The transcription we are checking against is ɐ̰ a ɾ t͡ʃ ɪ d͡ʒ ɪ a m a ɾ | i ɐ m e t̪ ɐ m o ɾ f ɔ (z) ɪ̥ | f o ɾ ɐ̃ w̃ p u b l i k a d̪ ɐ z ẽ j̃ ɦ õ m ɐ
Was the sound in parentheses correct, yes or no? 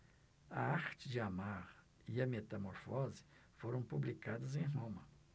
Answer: yes